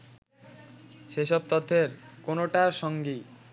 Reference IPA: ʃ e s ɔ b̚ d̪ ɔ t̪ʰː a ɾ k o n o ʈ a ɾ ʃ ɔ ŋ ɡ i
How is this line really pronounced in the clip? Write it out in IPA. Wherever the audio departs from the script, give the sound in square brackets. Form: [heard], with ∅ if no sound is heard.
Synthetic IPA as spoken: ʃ e [ʃ] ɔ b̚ [t̪] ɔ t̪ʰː [e] ɾ k o n o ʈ a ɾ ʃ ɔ ŋ ɡ i